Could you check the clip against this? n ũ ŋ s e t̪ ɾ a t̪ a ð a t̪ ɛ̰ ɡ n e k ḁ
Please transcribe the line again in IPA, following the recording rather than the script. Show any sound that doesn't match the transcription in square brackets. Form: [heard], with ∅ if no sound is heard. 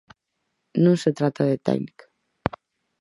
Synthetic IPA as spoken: n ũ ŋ s e t̪ ɾ a t̪ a ð [e] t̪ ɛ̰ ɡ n [i] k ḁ